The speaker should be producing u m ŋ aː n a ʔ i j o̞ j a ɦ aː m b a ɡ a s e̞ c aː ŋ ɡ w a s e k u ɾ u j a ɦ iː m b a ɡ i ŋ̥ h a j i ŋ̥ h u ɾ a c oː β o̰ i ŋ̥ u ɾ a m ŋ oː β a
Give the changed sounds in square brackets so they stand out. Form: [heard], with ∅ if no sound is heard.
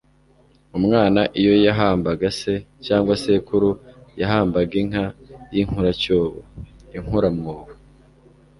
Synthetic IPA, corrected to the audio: u m ŋ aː n a ʔ i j o̞ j a ɦ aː m b a ɡ a s e̞ c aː ŋ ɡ w a s e k u ɾ u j a ɦ [aː] m b a ɡ i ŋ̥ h a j i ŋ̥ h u ɾ a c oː β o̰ i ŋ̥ u ɾ a m ŋ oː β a